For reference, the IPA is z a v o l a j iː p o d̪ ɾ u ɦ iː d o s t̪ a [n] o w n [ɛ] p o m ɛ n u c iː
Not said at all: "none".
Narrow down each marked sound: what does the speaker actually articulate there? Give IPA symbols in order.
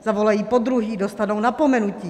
n, a

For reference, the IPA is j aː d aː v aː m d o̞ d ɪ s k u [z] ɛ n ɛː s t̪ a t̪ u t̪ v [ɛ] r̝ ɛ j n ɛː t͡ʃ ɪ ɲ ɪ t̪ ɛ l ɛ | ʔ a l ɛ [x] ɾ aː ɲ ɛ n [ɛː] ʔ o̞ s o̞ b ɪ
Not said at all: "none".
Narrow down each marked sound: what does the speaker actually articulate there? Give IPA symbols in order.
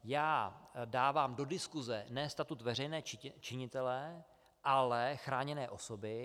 z, ɛ, x, ɛː

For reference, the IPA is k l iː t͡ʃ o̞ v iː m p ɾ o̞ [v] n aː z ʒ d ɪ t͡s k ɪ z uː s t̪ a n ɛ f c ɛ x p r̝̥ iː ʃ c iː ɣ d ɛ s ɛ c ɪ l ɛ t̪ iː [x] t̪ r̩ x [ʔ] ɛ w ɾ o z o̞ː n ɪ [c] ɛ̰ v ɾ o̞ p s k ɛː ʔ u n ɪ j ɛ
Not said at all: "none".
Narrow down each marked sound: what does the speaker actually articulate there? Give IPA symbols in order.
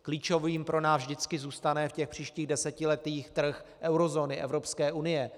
none, x, ʔ, ʔ

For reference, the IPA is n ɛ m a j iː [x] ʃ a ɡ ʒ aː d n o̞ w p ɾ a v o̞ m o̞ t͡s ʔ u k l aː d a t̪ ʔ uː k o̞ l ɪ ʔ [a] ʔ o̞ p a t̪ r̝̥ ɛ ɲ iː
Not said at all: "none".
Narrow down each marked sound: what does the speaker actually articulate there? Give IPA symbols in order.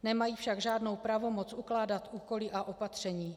f, a

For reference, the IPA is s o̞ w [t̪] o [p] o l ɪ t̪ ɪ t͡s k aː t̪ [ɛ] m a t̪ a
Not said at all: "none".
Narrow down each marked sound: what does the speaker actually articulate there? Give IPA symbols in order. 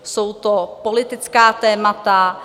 t̪, p, ɛː

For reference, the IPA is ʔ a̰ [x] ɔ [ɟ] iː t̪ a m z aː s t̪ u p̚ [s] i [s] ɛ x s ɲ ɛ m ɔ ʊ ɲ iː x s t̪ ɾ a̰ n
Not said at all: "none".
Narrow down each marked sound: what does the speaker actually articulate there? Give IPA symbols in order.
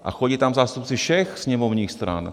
x, ɟ, t͡s, ʃ

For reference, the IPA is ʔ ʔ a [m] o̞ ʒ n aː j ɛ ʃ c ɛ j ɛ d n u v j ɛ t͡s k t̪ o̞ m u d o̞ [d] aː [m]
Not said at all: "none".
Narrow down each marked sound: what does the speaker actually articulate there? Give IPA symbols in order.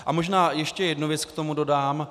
m, d, m

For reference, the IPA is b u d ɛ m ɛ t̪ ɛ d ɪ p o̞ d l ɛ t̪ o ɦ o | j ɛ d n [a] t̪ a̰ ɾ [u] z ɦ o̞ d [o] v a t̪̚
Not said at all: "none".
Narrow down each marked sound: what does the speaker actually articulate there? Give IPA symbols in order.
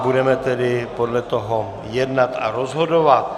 a, o, o

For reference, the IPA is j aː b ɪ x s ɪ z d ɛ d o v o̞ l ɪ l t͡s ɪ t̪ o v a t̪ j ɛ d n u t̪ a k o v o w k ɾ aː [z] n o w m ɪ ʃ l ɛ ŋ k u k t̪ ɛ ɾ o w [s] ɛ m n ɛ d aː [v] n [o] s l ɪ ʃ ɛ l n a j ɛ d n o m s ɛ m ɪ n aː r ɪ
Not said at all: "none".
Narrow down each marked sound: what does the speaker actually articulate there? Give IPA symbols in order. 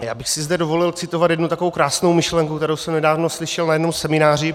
s, s, v, o

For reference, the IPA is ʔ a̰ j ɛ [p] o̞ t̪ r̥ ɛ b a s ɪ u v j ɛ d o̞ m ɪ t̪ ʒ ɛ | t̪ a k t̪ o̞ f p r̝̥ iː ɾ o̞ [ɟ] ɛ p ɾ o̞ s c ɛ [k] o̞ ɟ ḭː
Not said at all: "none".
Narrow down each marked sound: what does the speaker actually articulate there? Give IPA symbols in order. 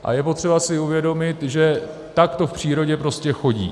p, ɟ, x

